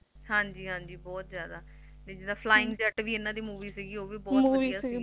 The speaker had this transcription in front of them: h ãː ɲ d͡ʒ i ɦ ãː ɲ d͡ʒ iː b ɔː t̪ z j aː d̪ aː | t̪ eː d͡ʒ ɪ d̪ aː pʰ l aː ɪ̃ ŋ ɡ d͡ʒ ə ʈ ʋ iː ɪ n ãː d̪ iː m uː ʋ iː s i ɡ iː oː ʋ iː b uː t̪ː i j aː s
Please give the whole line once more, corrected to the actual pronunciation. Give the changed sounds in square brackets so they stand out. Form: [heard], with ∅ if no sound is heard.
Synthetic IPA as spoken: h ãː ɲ d͡ʒ [iː] ɦ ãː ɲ d͡ʒ iː b ɔː t̪ z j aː d̪ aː | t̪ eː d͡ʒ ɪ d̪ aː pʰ l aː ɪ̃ ŋ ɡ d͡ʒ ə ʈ ʋ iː ɪ n ãː d̪ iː m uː ʋ iː s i ɡ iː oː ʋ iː b [ɔː] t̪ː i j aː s